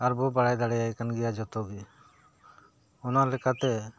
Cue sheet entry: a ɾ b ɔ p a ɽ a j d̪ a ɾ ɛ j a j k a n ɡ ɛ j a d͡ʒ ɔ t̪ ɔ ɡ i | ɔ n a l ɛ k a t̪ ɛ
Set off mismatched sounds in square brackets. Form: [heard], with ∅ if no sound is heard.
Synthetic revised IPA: a ɾ b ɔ [b] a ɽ a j d̪ a [ɽ] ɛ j a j k a n ɡ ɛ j a d͡ʒ ɔ t̪ ɔ ɡ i | ɔ n a l ɛ k a t̪ ɛ

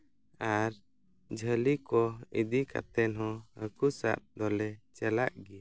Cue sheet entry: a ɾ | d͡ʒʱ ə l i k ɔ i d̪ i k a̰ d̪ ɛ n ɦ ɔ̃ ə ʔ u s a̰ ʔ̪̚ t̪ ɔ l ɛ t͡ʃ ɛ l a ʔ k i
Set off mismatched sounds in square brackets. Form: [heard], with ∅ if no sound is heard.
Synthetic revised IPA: a ɾ | d͡ʒʱ ə l i k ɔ i d̪ i k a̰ [t̪] ɛ n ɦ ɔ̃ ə [k] u s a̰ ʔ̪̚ [d̪] ɔ l ɛ t͡ʃ ɛ l a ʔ [ɡ] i

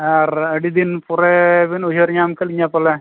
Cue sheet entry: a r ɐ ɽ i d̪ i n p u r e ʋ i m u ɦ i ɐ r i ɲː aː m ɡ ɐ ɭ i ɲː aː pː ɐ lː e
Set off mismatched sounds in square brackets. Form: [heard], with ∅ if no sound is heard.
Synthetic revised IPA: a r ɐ ɽ i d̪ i n p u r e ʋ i [n] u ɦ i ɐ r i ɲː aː m [k] ɐ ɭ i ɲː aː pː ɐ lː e

